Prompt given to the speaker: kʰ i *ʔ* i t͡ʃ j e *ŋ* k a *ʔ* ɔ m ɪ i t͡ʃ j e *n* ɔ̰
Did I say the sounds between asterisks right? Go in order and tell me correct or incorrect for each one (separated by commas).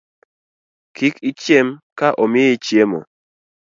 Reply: incorrect, incorrect, correct, incorrect